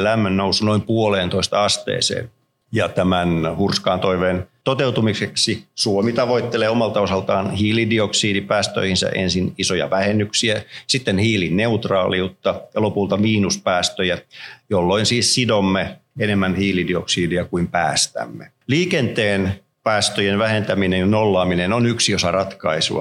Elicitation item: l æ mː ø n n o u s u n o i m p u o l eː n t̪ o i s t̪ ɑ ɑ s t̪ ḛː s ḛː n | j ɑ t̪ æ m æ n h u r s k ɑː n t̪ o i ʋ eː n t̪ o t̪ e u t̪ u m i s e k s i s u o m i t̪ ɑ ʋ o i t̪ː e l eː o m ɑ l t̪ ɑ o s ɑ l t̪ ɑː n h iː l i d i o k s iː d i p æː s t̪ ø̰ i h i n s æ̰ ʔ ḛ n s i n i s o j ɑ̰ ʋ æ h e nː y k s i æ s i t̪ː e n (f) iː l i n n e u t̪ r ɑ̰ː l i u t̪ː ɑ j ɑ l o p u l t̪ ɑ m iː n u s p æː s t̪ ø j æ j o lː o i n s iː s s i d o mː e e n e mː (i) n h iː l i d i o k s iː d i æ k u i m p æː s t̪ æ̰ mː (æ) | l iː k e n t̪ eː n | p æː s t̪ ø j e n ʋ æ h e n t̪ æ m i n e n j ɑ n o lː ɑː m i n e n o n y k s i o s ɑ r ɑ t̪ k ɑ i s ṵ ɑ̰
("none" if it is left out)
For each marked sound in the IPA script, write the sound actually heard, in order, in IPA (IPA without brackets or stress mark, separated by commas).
h, æ, e